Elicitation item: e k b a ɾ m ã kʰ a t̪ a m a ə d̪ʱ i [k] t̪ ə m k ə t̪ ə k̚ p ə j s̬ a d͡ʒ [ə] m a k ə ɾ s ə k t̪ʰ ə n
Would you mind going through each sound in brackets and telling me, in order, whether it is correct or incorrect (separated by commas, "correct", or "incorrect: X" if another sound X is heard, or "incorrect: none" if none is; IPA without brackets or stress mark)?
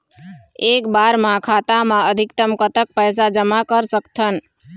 correct, correct